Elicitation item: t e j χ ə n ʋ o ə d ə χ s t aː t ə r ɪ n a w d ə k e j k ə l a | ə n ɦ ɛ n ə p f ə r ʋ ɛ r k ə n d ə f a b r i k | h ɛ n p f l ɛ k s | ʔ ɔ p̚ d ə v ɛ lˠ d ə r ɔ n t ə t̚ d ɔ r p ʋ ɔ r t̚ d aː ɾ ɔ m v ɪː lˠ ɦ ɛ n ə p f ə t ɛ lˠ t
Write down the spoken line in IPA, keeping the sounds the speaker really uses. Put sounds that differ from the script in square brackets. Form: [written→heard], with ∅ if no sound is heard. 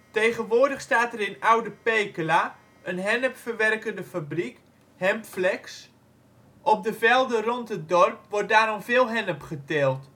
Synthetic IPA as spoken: t e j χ ə n ʋ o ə d ə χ s t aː t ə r ɪ n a w d ə [k→p] e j k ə l a | ə n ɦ ɛ n ə p f ə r ʋ ɛ r k ə n d ə f a b r i k | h ɛ [n→m] p f l ɛ k s | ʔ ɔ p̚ d ə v ɛ lˠ d ə r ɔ n t ə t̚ d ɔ r p ʋ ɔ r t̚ d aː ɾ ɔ m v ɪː lˠ ɦ ɛ n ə p [f→χ] ə t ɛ lˠ t